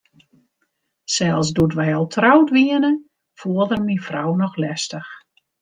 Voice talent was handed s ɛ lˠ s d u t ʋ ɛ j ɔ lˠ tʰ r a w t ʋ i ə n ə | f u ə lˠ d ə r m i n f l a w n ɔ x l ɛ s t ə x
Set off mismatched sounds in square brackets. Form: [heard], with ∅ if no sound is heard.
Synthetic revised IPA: s ɛ lˠ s d u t ʋ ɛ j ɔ lˠ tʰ r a w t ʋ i ə n ə | f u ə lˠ d ə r m i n f [r] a w n ɔ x l ɛ s t ə x